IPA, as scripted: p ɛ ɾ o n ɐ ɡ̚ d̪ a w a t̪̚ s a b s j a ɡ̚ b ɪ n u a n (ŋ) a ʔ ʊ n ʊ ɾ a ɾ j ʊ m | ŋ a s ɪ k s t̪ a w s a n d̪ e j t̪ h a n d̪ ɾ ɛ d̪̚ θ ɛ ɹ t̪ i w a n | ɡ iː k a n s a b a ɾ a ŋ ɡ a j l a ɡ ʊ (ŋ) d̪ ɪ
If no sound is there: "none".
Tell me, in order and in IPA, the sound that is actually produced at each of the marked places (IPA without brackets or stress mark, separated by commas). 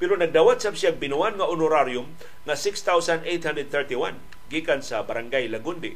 ŋ, n